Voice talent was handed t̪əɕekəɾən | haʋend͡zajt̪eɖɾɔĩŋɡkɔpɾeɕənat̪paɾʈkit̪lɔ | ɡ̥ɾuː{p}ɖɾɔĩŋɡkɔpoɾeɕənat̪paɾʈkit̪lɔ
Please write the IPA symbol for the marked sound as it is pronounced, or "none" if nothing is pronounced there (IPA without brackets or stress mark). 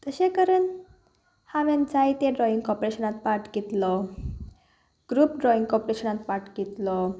p